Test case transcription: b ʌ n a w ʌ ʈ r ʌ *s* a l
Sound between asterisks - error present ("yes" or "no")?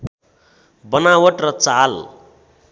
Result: yes